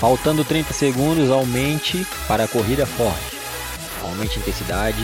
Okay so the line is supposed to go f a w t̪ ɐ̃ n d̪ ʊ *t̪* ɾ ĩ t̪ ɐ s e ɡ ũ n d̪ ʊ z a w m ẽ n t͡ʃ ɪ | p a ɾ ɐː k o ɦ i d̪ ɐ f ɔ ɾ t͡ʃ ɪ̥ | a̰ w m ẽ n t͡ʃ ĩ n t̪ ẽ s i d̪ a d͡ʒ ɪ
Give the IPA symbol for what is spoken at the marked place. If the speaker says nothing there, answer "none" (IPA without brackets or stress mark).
t̪